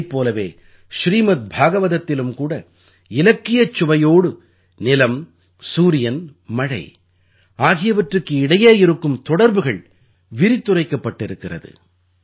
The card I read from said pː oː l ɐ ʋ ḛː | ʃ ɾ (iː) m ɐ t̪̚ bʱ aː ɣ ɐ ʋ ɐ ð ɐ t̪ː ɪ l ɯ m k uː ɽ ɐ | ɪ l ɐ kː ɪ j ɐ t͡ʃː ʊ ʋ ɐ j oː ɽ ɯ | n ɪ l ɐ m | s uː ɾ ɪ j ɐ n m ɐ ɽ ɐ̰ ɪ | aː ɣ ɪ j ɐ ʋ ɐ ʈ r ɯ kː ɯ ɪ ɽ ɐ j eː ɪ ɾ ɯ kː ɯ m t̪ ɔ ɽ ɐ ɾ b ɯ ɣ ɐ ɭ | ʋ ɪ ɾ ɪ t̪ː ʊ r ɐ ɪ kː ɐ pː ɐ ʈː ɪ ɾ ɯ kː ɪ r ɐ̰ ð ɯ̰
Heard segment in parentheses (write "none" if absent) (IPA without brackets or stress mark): iː